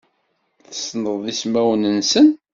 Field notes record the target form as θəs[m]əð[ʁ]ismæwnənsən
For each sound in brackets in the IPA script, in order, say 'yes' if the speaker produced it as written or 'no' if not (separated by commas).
no, no